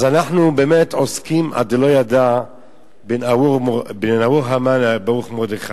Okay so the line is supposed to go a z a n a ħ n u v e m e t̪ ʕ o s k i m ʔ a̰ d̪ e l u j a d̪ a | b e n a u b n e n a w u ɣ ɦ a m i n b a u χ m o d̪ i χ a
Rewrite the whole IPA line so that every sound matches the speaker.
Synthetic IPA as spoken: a z a n a ħ n u b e m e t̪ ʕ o s k i m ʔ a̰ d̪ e l o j a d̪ a | b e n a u b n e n a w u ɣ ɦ a m a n b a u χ m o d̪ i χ a

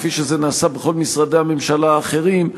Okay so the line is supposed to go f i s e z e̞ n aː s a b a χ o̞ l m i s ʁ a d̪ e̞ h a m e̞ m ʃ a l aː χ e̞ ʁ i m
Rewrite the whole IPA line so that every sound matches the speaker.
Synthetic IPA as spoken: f i ʃ e z e̞ n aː s a b e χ o̞ l m i s ʁ a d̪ e̞ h a m e̞ m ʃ a l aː χ e̞ ʁ i m

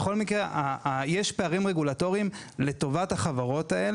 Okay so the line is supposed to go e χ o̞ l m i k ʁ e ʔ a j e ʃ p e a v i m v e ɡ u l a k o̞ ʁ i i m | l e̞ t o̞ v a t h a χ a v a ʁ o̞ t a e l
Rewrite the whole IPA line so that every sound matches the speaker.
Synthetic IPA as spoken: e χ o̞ l m i k ʁ e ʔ a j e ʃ p e a ʁ i m ʁ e ɡ u l a t o̞ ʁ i i m | l e̞ t o̞ v a t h a χ a v a ʁ o̞ t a e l

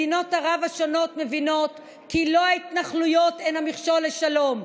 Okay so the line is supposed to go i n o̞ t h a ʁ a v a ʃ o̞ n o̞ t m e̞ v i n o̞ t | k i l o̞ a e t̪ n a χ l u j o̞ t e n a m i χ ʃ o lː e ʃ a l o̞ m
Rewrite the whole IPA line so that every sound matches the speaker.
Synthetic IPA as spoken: i n o̞ t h a ʁ a v a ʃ o̞ n o̞ t m e̞ v i n o̞ t | k i l o̞ a i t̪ n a χ l u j o̞ t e n a m i χ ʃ o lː e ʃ a l o̞ m

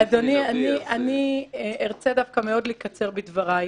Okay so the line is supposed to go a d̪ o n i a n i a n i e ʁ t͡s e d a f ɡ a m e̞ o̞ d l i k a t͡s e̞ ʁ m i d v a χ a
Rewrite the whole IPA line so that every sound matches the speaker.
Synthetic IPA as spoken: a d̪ o n i a n i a n i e ʁ t͡s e d a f k a m e̞ o̞ d l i k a t͡s e̞ ʁ b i d v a ʁ a

